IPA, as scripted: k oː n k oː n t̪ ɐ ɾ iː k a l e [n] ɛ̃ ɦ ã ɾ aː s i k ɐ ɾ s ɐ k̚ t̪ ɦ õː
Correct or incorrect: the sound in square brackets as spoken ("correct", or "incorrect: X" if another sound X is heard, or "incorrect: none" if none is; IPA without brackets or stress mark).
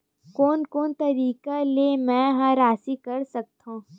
incorrect: m